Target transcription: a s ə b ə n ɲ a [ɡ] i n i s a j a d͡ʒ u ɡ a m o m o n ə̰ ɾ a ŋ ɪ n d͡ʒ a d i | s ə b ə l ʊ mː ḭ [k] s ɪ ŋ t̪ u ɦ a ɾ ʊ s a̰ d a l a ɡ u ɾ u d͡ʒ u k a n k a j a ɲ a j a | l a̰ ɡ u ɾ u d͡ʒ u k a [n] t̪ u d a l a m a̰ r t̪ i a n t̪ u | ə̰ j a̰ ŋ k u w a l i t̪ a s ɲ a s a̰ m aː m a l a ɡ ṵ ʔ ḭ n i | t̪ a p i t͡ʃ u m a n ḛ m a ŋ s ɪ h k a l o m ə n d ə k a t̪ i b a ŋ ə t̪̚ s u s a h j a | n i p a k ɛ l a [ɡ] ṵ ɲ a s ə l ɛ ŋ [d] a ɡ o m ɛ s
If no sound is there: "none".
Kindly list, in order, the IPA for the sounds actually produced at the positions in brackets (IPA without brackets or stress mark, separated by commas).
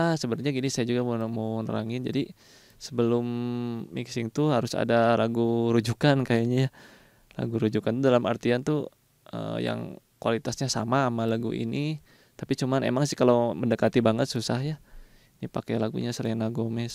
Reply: ɡ, k, n, ɡ, n